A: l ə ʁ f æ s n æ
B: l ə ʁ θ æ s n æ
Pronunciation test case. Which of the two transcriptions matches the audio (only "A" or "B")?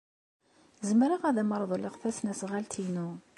B